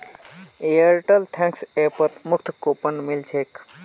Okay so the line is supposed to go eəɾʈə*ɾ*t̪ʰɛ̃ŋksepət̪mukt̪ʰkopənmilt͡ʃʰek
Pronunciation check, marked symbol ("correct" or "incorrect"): incorrect